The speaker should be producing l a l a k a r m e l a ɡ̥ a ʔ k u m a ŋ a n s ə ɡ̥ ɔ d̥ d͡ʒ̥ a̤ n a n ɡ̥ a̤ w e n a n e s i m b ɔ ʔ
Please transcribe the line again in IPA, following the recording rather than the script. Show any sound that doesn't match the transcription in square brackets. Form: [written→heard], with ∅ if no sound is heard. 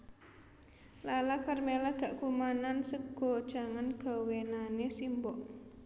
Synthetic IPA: l a l a k a r m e l a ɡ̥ a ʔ k u m a [ŋ→n] a n s ə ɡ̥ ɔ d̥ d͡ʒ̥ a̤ [n→ŋ] a n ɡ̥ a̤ w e n a n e s i m b ɔ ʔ

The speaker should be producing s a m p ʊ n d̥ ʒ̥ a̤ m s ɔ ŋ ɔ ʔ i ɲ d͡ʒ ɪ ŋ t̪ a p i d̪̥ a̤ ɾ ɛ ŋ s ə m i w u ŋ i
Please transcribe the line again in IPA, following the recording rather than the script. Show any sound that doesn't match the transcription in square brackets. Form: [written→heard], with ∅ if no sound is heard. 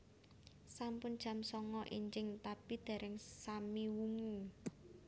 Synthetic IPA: s a m p ʊ n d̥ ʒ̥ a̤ m s ɔ ŋ ɔ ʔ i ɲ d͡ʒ ɪ ŋ t̪ a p i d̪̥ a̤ ɾ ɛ ŋ s [ə→a] m i w u ŋ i

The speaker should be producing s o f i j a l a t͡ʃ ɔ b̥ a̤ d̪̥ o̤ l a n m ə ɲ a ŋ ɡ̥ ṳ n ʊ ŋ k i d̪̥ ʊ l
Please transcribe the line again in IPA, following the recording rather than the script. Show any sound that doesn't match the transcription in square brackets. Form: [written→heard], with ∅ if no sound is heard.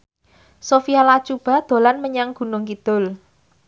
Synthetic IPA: s o f i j a l a t͡ʃ [ɔ→u] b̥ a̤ d̪̥ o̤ l a n m ə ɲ a ŋ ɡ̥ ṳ n ʊ ŋ k i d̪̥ ʊ l

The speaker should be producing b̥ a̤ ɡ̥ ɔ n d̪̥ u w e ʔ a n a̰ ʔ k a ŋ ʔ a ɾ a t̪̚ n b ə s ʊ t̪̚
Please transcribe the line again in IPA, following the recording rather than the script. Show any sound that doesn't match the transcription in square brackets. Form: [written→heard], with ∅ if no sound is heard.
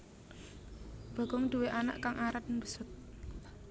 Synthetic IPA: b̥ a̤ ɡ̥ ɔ [n→ŋ] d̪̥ u w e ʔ a n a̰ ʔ k a ŋ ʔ a ɾ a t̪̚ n b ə s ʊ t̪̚

